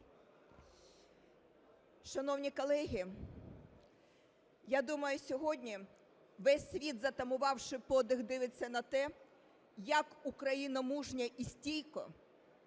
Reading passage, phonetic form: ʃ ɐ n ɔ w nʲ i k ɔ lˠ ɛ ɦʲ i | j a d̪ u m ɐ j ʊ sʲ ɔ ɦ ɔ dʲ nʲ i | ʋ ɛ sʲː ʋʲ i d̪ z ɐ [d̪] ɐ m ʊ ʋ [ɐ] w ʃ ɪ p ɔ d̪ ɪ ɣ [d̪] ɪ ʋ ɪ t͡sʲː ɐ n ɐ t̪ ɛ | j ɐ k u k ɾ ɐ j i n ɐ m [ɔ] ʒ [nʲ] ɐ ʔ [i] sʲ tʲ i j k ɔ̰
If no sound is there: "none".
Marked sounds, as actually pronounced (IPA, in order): t̪, ɑ, d̪, u, nʲ, i

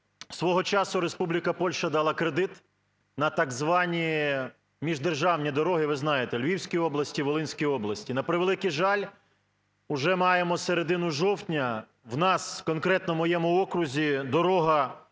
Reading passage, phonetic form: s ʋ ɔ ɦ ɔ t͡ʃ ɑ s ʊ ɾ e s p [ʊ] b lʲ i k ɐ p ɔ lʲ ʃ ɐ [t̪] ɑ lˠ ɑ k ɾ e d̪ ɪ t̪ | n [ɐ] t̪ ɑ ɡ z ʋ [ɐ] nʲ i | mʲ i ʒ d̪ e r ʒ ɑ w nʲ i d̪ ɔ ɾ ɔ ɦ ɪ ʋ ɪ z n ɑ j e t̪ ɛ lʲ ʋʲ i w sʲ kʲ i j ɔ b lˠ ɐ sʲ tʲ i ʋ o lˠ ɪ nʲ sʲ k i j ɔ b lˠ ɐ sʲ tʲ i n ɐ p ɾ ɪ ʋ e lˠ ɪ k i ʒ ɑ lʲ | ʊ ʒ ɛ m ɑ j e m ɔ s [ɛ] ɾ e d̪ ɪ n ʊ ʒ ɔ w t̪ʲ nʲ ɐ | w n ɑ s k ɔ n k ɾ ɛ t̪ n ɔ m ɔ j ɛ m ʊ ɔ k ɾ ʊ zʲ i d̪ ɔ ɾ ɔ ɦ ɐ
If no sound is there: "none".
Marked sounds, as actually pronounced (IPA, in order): u, d̪, ɐ, ɑ, e

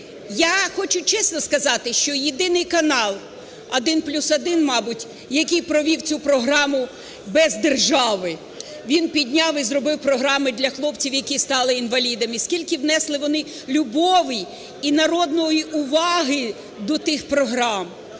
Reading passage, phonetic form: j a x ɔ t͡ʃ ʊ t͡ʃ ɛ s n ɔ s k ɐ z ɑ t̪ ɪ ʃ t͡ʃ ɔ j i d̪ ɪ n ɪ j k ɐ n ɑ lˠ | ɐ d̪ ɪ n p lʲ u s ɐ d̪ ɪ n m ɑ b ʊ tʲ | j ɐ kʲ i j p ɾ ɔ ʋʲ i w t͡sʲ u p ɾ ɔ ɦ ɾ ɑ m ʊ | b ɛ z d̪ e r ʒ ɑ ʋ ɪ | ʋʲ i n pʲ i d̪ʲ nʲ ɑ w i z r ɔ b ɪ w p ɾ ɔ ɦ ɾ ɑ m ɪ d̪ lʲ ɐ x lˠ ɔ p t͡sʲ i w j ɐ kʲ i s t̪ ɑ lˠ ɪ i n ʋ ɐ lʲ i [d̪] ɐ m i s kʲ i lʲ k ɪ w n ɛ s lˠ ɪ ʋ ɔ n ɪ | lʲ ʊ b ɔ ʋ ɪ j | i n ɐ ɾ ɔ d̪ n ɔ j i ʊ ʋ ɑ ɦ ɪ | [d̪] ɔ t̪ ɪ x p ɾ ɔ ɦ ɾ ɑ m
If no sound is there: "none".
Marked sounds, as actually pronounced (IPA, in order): d̪, d̪

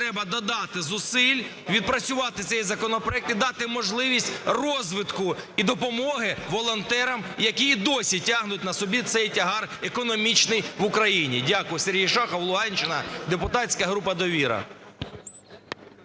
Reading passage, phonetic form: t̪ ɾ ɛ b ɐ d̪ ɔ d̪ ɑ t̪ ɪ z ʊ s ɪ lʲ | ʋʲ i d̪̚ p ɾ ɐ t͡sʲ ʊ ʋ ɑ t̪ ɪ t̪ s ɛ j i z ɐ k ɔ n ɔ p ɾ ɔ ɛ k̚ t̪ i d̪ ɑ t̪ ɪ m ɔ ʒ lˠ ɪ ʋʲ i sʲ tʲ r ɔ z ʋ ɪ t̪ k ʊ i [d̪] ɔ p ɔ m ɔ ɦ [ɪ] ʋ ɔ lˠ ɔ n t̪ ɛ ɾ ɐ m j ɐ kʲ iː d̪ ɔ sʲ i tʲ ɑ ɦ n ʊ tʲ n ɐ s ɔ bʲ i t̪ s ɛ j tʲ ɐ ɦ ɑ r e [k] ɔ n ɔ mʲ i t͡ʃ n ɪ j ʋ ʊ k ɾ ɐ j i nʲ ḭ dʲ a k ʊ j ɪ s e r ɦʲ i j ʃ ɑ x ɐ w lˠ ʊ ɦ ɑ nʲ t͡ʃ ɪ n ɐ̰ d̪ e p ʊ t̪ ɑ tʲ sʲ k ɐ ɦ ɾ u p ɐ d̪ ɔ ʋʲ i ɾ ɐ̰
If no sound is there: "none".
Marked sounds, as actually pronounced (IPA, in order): d̪, ɪ, k

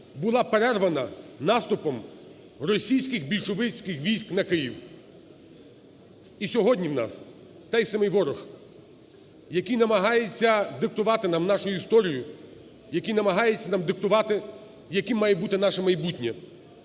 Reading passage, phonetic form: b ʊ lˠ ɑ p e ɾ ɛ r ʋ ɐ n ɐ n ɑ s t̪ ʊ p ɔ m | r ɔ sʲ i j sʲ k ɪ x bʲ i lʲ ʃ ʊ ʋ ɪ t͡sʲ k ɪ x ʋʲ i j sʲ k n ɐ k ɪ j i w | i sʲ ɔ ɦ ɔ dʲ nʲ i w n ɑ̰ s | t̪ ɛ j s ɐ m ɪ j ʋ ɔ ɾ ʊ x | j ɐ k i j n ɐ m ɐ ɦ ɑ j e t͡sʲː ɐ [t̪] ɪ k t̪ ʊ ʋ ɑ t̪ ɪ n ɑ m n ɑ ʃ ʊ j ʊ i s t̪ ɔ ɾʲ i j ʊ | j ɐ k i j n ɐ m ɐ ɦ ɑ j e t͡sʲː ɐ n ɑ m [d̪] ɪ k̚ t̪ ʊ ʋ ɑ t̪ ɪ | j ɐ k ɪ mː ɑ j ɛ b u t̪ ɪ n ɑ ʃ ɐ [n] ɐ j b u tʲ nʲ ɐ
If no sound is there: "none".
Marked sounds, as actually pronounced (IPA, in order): d̪, d̪, m

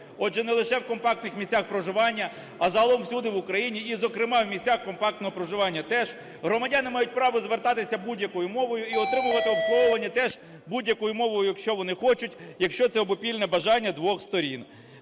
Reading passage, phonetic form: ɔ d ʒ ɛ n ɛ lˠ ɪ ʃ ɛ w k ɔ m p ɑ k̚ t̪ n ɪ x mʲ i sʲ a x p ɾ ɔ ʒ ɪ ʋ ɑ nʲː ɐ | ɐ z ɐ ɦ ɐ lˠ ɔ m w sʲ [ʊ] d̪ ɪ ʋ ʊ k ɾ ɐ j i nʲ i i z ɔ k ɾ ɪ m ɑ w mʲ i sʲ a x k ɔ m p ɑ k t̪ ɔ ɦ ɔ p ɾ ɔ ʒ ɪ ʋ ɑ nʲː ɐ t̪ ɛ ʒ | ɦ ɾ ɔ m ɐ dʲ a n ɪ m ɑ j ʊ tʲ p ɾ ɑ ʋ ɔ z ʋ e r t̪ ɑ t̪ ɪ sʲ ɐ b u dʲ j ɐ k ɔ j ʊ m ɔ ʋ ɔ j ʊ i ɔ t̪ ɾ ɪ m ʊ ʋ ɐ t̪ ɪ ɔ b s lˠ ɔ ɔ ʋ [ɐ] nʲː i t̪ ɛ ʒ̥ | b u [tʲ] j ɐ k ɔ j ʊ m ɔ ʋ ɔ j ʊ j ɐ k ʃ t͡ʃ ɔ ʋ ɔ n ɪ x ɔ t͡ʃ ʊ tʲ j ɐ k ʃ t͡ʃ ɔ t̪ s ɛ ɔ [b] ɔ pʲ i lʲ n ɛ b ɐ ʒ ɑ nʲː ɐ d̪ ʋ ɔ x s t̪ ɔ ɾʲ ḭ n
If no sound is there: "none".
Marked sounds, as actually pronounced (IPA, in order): u, ɐ, dʲ, b

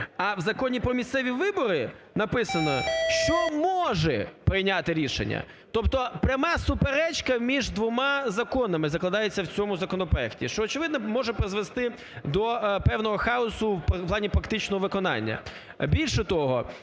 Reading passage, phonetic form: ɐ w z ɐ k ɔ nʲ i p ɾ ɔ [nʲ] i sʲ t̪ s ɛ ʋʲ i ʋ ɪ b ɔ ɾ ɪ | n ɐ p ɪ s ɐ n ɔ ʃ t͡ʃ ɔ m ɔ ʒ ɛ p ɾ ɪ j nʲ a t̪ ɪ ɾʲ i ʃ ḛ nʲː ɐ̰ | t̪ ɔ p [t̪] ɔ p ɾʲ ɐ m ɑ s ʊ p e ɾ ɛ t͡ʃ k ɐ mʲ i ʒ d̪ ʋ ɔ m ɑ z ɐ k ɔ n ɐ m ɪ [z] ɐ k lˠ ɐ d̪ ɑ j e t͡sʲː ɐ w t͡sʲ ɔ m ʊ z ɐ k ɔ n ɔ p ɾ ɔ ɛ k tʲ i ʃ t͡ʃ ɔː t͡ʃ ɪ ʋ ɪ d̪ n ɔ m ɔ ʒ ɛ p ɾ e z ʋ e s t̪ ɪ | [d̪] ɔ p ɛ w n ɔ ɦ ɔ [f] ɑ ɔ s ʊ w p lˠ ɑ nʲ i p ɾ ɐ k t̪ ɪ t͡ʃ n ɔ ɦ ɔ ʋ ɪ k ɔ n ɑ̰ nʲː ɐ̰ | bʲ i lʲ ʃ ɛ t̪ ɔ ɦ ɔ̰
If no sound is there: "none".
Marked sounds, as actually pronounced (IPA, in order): mʲ, t̪, z, d̪, x

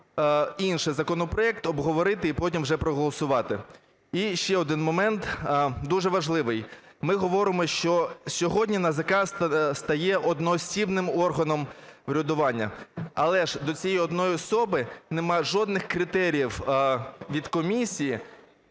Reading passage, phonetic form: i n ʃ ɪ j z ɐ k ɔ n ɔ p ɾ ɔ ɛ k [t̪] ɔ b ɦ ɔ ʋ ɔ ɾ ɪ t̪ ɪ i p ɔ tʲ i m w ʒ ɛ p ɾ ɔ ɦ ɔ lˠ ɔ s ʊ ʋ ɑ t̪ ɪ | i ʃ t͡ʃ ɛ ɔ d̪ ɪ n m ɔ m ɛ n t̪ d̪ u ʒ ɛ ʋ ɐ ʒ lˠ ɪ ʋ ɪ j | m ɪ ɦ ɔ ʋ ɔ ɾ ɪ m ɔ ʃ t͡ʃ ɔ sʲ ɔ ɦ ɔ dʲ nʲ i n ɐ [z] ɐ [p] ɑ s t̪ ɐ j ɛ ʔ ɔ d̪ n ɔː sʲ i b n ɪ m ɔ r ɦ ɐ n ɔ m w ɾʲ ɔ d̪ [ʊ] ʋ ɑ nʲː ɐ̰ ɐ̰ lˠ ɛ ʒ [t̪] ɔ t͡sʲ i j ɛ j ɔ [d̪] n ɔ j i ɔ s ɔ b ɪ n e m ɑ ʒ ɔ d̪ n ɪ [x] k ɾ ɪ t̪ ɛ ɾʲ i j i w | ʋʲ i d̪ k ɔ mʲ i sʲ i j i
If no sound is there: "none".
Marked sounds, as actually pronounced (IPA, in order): t̪, z, k, ʊ, d̪, d̪, x

